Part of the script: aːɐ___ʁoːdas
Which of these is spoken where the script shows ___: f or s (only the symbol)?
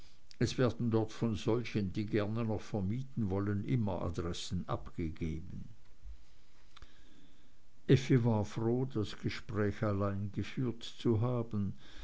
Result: f